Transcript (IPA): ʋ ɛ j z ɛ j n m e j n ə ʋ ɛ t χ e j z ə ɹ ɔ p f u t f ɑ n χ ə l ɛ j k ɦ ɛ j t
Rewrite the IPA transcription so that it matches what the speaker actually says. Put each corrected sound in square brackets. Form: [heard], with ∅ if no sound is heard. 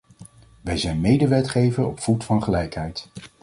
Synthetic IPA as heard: ʋ ɛ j z ɛ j n m e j [d] ə ʋ ɛ t χ e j [v] ə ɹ ɔ p f u t f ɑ n χ ə l ɛ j k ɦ ɛ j t